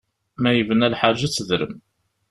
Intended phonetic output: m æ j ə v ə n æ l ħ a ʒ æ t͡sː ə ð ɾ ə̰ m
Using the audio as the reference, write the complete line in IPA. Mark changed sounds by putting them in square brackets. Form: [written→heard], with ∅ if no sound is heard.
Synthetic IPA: m æ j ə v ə n æ l ħ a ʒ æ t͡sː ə ð ɾ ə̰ m